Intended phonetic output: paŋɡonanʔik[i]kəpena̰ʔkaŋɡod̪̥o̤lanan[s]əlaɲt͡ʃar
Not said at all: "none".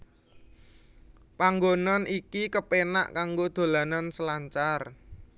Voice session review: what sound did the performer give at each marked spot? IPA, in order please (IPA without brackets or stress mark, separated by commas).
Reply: i, s